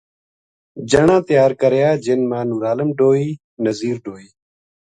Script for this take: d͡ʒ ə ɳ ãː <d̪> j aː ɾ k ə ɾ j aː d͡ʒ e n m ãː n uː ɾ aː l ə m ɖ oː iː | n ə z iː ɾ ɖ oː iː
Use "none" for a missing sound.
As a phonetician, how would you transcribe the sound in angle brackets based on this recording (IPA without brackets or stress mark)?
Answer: t̪